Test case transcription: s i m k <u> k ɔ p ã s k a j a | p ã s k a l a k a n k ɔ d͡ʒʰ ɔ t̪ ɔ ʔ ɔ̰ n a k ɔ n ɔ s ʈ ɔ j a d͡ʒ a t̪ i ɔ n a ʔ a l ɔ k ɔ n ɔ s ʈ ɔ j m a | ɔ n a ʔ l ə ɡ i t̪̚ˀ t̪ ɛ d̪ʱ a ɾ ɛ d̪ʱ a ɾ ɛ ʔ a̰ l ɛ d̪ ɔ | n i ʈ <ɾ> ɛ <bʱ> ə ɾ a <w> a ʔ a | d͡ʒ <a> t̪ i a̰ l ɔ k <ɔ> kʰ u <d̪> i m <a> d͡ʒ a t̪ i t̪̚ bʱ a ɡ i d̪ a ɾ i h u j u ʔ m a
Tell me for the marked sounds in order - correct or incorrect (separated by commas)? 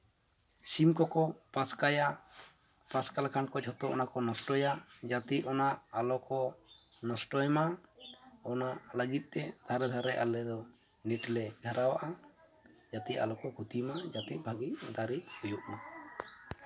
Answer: incorrect, incorrect, incorrect, correct, correct, correct, incorrect, correct